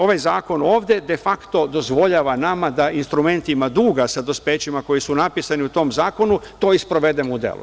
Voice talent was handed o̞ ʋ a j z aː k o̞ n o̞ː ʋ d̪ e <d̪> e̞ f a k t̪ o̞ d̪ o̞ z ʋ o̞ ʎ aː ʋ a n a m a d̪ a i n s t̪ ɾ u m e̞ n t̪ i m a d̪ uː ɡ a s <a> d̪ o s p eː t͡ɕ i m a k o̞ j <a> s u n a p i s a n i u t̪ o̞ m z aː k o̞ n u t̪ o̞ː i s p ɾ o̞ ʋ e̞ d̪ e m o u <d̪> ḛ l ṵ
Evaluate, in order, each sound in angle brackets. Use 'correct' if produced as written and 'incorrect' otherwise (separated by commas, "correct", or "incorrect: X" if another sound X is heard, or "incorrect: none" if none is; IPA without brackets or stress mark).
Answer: correct, correct, incorrect: i, correct